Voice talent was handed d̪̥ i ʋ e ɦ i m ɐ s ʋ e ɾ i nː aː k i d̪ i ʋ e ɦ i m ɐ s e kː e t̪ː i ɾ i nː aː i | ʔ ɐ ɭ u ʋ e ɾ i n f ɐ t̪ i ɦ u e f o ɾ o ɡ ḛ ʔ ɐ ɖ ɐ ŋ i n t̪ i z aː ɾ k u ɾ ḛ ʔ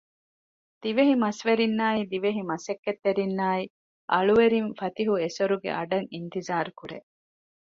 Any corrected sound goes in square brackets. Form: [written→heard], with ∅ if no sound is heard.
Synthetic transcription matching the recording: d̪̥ i ʋ e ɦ i m ɐ s ʋ e ɾ i nː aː [k→∅] i d̪ i ʋ e ɦ i m ɐ s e kː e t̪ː [i→e] ɾ i nː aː i | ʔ ɐ ɭ u ʋ e ɾ i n f ɐ t̪ i ɦ u e [f→s] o ɾ [o→u] ɡ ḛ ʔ ɐ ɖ ɐ ŋ i n t̪ i z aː ɾ k u ɾ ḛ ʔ

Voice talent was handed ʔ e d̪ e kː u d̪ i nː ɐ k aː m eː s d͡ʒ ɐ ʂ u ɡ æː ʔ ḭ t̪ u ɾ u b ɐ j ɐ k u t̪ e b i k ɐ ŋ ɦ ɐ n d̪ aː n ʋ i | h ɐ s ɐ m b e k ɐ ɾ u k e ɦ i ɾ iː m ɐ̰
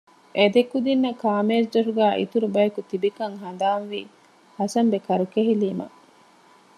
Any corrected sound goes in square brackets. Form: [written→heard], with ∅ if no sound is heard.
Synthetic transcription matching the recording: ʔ e d̪ e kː u d̪ i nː ɐ k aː m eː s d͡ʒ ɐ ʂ u ɡ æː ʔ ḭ t̪ u ɾ u b ɐ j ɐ k u t̪ [e→i] b i k ɐ ŋ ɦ ɐ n d̪ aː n ʋ i | h ɐ s ɐ m b e k ɐ ɾ u k e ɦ i [ɾ→l] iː m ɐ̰

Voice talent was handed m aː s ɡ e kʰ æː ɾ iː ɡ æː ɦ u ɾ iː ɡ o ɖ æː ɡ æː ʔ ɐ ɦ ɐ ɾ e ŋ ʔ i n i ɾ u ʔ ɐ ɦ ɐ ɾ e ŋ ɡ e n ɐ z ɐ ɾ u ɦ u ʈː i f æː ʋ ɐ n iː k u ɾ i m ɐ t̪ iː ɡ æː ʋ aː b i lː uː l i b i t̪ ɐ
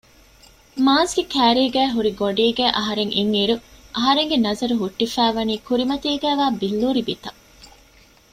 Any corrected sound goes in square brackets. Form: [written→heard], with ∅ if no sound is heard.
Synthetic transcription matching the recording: m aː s ɡ e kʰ æː ɾ iː ɡ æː ɦ u ɾ [iː→i] ɡ o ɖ [æː→iː] ɡ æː ʔ ɐ ɦ ɐ ɾ e ŋ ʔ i [n→ŋ] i ɾ u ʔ ɐ ɦ ɐ ɾ e ŋ ɡ e n ɐ z ɐ ɾ u ɦ u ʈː i f æː ʋ ɐ n iː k u ɾ i m ɐ t̪ iː ɡ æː ʋ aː b i lː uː [l→ɾ] i b i t̪ ɐ

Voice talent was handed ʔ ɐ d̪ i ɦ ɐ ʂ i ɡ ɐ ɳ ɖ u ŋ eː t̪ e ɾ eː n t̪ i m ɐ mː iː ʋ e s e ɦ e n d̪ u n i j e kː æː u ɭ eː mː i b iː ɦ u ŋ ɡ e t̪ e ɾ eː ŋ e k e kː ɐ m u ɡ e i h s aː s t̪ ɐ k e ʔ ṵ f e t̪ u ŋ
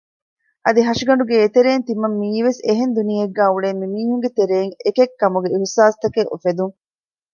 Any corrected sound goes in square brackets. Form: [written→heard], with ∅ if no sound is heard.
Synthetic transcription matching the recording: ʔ ɐ d̪ i ɦ ɐ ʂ i ɡ ɐ ɳ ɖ u [ŋ→ɡ] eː t̪ e ɾ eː n t̪ i m ɐ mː iː ʋ e s e ɦ e n d̪ u n i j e [kː→ɡː] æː u ɭ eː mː i [b→m] iː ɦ u ŋ ɡ e t̪ e ɾ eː ŋ e k e kː ɐ m u ɡ e i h s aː s t̪ ɐ k e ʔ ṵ f e [t̪→d̪] u ŋ

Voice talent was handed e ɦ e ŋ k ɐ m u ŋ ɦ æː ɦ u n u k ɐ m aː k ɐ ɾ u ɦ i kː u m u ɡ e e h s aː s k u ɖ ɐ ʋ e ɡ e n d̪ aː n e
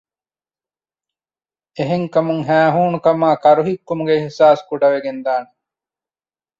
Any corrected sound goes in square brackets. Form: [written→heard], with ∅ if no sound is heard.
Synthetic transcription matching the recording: e ɦ e ŋ k ɐ m u ŋ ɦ æː ɦ [u→uː] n u k ɐ m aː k ɐ ɾ u ɦ i kː u m u ɡ e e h s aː s k u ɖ ɐ ʋ e ɡ e n d̪ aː n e

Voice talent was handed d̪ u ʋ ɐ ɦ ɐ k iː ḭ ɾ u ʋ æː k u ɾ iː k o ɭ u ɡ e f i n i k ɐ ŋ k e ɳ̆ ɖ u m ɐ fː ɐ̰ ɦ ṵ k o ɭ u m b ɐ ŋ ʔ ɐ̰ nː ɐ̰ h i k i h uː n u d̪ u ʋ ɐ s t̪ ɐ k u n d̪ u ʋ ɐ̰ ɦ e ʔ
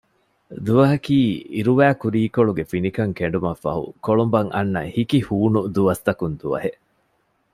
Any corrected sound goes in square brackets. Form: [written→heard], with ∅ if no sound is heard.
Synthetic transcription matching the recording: d̪ u ʋ ɐ ɦ ɐ k iː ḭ ɾ u ʋ æː k u ɾ iː k o ɭ u ɡ e f i n i k ɐ ŋ k e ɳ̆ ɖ u m ɐ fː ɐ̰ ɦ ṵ k o ɭ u m b ɐ ŋ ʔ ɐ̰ nː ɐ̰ h i k i h uː n u d̪ u ʋ ɐ s t̪ ɐ k u n d̪ u ʋ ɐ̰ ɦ e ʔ

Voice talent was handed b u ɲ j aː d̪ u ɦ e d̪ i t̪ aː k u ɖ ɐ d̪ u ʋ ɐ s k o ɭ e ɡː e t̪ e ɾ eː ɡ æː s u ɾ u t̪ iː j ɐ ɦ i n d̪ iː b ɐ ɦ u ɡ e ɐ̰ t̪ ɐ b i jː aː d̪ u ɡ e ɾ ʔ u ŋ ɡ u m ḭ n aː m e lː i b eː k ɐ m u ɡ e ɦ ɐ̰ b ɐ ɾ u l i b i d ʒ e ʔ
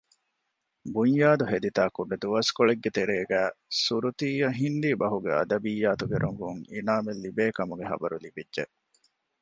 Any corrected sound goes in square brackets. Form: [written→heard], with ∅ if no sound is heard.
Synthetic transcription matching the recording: b u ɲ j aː d̪ u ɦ e d̪ i t̪ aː k u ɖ ɐ d̪ u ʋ ɐ s k o ɭ e ɡː e t̪ e ɾ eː ɡ æː s u ɾ u t̪ iː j ɐ ɦ i n d̪ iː b ɐ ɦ u ɡ e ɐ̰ [t̪→d̪] ɐ b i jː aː [d̪→t̪] u ɡ e ɾ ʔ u ŋ ɡ u [m→ŋ] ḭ n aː m e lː i b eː k ɐ m u ɡ e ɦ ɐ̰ b ɐ ɾ u l i b i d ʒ e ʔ

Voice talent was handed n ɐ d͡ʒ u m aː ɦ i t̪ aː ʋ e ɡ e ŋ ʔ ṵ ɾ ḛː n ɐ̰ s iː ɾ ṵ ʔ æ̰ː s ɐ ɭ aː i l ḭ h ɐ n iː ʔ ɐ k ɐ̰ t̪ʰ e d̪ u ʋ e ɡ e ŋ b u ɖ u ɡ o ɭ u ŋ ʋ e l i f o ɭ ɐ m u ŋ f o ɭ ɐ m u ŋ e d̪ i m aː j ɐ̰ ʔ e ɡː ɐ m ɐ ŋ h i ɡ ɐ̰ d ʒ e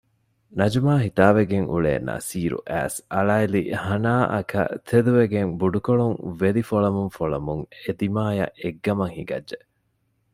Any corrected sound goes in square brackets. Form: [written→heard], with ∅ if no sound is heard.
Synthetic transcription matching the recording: n ɐ d͡ʒ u m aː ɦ i t̪ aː ʋ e ɡ e ŋ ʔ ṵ [ɾ→ɭ] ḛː n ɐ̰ s iː ɾ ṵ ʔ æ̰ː s ɐ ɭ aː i l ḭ h ɐ n [iː→aː] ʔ ɐ k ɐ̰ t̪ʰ e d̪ u ʋ e ɡ e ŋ b u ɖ u [ɡ→k] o ɭ u ŋ ʋ e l i f o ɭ ɐ m u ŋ f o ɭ ɐ m u ŋ e d̪ i m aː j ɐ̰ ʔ e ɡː ɐ m ɐ ŋ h i ɡ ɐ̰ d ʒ e

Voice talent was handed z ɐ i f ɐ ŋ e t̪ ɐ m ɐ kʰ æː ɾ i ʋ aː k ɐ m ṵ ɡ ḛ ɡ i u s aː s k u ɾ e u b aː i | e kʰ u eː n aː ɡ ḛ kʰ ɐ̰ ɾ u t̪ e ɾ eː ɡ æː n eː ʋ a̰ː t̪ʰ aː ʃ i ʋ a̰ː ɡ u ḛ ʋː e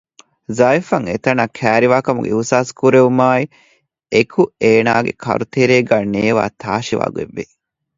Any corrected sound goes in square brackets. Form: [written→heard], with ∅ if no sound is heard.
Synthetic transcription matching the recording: z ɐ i f ɐ ŋ e t̪ ɐ [m→n] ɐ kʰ æː ɾ i ʋ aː k ɐ m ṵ ɡ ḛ [ɡ→∅] i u s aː s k u ɾ e u [b→m] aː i | e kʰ u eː n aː ɡ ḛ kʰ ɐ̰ ɾ u t̪ e ɾ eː ɡ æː n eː ʋ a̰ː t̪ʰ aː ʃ i ʋ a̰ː ɡ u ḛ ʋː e

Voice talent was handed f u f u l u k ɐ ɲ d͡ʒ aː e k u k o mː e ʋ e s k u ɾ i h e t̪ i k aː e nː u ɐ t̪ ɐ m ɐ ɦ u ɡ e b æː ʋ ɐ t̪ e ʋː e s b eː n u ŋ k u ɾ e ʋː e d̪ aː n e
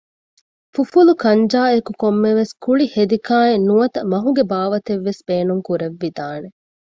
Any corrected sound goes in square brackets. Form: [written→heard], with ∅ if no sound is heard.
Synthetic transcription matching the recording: f u f u l u k ɐ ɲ d͡ʒ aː e k u k o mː e ʋ e s k u [ɾ→ɭ] i h e [t̪→d̪] i k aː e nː u ɐ t̪ ɐ m ɐ ɦ u ɡ e b [æː→aː] ʋ ɐ t̪ e ʋː e s b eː n u ŋ k u ɾ e ʋː [e→i] d̪ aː n e

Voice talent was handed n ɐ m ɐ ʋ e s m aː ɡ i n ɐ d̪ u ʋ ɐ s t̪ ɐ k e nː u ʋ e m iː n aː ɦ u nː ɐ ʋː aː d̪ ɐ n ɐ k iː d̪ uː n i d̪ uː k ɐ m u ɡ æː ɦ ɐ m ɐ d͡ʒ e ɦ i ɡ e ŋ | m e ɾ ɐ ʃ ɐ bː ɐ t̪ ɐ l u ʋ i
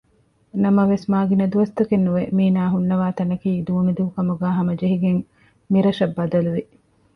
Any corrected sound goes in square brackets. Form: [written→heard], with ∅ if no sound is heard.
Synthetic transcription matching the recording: n ɐ m ɐ ʋ e s m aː ɡ i n ɐ d̪ u ʋ ɐ s t̪ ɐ k e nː u ʋ e m iː n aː ɦ u nː ɐ [ʋː→ʋ] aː [d̪→t̪] ɐ n ɐ k iː d̪ uː n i d̪ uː k ɐ m u ɡ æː ɦ ɐ m ɐ d͡ʒ e ɦ i ɡ e ŋ | m [e→i] ɾ ɐ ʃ ɐ bː ɐ [t̪→d̪] ɐ l u ʋ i

